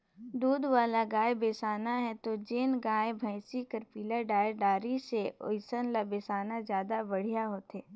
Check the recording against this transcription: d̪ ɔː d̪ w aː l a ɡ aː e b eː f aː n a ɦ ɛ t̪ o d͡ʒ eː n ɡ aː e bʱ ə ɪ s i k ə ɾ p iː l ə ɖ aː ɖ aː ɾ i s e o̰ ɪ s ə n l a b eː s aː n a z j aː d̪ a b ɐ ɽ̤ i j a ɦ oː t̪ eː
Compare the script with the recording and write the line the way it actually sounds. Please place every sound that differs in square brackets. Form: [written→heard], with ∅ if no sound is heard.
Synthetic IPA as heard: d̪ [ɔː→uː] d̪ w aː l a ɡ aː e b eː [f→s] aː n a ɦ ɛ t̪ o d͡ʒ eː n ɡ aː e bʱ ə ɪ s i k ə ɾ p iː l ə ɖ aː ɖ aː ɾ i s e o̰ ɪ s ə n l a b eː s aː n a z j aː d̪ a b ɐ ɽ̤ i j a ɦ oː t̪ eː